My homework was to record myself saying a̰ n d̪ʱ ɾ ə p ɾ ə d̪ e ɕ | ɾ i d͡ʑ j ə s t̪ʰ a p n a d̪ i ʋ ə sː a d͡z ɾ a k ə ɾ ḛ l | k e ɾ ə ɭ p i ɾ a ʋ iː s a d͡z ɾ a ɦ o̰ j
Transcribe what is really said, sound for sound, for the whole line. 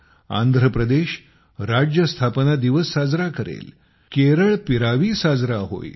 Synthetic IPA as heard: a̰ n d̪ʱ ɾ ə p ɾ ə d̪ e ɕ | ɾ a d͡ʑ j ə s t̪ʰ a p n a d̪ i ʋ ə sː a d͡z ɾ a k ə ɾ ḛ l | k e ɾ ə ɭ p i ɾ a ʋ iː s a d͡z ɾ a ɦ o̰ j